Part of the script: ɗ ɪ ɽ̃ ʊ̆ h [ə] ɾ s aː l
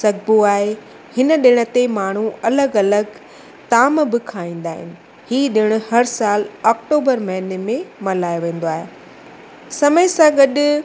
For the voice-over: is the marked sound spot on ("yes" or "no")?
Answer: no